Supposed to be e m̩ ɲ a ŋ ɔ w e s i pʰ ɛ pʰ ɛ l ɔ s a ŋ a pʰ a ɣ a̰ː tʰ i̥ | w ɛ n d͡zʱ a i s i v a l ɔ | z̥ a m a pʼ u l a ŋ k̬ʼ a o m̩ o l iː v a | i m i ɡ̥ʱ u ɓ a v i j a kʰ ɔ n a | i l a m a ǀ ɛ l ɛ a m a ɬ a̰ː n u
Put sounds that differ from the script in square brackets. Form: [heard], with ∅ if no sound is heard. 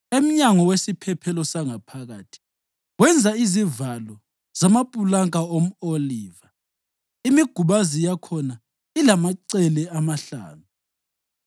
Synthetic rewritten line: e m̩ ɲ a ŋ ɔ w e s i pʰ ɛ pʰ ɛ l ɔ s a ŋ a pʰ a ɣ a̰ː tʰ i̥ | w ɛ n d͡zʱ a i [z] i v a l ɔ | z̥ a m a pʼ u l a ŋ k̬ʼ a o m̩ o l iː v a | i m i ɡ̥ʱ u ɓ a [z] i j a kʰ ɔ n a | i l a m a ǀ ɛ l ɛ a m a ɬ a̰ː n u